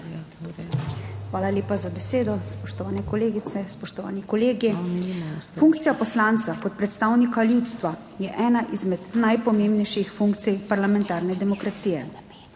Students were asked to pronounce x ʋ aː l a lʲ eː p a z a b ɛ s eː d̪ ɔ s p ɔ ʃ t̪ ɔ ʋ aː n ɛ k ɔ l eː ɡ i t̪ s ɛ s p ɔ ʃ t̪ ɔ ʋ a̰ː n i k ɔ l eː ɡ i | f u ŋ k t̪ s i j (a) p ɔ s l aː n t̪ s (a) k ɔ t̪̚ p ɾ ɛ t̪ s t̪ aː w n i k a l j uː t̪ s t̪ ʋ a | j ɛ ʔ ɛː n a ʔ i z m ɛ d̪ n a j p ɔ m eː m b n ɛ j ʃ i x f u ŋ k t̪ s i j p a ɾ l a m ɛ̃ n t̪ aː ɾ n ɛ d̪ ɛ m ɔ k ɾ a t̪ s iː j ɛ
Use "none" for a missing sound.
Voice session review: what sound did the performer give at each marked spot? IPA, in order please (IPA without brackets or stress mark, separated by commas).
a, a